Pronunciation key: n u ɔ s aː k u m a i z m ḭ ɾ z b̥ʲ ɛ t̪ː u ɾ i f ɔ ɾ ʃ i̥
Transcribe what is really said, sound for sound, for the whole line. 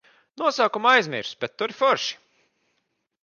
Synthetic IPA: n u ɔ s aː k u m a j z m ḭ ɾ s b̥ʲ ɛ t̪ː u ɾ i f ɔ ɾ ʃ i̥